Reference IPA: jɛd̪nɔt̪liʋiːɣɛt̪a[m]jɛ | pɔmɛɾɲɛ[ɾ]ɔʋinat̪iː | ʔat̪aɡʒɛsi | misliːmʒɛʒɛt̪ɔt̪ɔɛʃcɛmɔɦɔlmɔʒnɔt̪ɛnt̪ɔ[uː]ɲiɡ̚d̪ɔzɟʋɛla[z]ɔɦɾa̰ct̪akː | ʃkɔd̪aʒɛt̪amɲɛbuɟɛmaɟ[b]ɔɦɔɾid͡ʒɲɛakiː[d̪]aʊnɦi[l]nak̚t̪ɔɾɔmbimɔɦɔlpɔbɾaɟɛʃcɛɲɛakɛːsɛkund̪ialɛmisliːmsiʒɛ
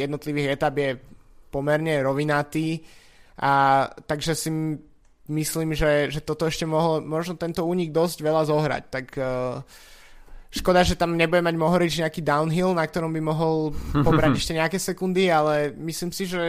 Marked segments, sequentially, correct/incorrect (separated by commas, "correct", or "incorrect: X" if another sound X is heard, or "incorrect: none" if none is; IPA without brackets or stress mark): incorrect: b, correct, correct, correct, incorrect: m, correct, correct